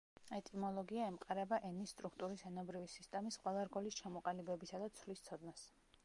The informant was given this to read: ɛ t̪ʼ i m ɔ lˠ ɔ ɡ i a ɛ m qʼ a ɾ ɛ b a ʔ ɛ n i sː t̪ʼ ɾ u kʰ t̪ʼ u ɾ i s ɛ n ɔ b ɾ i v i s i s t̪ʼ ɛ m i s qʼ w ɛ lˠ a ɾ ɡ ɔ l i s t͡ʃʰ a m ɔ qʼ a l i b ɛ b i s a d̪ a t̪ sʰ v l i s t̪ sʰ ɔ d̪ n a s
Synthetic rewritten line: ɛ t̪ʼ i m ɔ lˠ ɔ ɡ i a ɛ m qʼ a ɾ ɛ b a ʔ ɛ n i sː t̪ʼ ɾ u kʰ t̪ʼ u ɾ i s ɛ n ɔ b ɾ i v i s i s t̪ʼ ɛ m i s qʼ w ɛ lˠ a ɾ ɡ ɔ l i s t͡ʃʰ a m ɔ qʼ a l i b ɛ b i s a d̪ a t̪ sʰ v l i s t̪ sʰ ɔ d̪ n a s

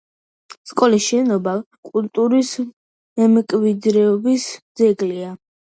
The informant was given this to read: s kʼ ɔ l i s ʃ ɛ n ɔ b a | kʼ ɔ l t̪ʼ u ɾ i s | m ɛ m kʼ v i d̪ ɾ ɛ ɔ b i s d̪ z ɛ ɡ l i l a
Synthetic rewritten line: s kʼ ɔ l i s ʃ ɛ n ɔ b a | kʼ u l t̪ʼ u ɾ i s | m ɛ m kʼ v i d̪ ɾ ɛ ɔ b i s d̪ z ɛ ɡ l i a

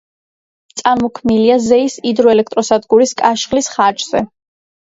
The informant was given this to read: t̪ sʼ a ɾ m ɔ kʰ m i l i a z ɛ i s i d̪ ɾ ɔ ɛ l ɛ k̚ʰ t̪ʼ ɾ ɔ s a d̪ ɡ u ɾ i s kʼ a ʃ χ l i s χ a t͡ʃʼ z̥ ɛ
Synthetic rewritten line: t̪ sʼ a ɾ m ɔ kʰ m i l i a z ɛ i s i d̪ ɾ ɔ ɛ l ɛ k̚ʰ t̪ʼ ɾ ɔ s a d̪ ɡ u ɾ i s kʼ a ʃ χ l i s χ a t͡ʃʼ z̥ ɛ

